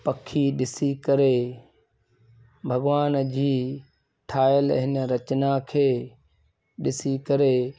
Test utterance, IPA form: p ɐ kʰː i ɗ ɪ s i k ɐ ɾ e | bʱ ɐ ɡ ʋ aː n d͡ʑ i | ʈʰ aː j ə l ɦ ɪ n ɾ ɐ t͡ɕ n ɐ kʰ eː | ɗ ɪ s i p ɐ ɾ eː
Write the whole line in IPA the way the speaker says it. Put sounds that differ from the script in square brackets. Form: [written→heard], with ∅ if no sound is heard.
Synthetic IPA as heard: p ɐ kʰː i ɗ ɪ s i k ɐ ɾ e | bʱ ɐ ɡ ʋ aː n d͡ʑ [i→iː] | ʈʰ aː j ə l ɦ ɪ n ɾ ɐ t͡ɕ n [ɐ→a] kʰ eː | ɗ ɪ s i [p→k] ɐ ɾ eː